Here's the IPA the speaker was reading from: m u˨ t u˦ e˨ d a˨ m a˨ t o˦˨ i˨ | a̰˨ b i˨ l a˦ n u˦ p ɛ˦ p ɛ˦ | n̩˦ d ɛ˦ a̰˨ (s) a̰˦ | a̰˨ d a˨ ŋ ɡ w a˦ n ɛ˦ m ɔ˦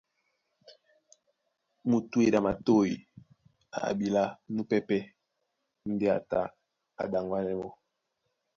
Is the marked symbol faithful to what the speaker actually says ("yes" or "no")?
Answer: no